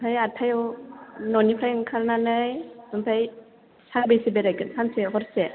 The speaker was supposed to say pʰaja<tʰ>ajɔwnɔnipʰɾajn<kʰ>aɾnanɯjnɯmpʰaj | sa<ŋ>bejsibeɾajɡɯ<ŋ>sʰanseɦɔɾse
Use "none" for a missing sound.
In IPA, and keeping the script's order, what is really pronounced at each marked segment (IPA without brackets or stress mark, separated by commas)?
tʰ, kʰ, ŋ, n